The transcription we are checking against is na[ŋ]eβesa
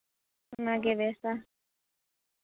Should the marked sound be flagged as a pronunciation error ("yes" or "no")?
yes